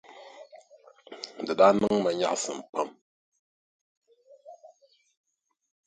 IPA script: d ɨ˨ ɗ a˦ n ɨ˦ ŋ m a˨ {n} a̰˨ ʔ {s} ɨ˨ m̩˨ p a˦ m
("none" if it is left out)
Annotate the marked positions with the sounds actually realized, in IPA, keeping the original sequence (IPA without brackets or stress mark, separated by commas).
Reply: ɲ, s